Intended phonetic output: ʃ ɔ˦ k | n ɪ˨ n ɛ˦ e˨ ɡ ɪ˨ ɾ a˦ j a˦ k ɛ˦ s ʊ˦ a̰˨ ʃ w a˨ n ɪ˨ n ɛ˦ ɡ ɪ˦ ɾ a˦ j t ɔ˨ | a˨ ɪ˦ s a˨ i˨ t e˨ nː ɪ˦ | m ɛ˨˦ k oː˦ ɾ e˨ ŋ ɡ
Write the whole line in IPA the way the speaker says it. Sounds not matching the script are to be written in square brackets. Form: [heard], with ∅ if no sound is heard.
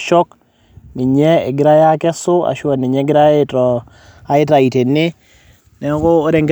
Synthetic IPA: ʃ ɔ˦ k | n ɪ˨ [ɲ] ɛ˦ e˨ ɡ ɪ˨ ɾ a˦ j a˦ k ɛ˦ s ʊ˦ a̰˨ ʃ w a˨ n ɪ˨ [ɲ] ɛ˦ ɡ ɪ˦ ɾ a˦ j t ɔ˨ | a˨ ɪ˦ [t] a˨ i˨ t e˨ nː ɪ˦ | [n] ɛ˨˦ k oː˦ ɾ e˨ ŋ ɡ